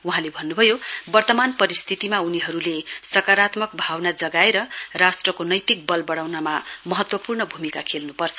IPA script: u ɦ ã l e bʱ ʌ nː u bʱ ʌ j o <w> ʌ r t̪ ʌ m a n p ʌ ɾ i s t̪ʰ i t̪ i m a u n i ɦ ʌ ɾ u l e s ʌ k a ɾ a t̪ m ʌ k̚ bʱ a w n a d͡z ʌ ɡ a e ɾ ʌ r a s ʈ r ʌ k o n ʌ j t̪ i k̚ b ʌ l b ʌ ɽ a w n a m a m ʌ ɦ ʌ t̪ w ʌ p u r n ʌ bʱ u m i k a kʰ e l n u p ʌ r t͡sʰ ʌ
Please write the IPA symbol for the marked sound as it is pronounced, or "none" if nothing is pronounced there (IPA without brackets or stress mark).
b